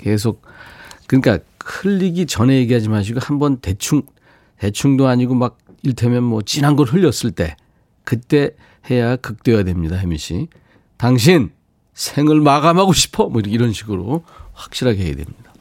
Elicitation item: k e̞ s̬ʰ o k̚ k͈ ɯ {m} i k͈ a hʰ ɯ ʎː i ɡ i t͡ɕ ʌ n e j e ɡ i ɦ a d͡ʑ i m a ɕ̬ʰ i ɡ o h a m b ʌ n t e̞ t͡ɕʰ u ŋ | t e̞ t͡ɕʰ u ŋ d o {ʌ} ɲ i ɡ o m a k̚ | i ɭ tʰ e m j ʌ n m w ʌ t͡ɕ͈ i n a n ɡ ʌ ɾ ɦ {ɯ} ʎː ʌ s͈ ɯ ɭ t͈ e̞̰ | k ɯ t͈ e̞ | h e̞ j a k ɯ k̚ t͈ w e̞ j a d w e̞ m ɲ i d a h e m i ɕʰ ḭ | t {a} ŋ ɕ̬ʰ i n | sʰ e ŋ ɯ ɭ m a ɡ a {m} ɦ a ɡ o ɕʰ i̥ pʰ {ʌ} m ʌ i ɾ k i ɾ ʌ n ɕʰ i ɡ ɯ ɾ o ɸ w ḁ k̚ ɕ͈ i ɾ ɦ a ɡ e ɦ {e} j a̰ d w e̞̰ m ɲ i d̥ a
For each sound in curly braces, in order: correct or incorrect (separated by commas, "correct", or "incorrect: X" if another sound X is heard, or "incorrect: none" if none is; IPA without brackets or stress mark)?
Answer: incorrect: ɲ, incorrect: a, correct, correct, correct, correct, correct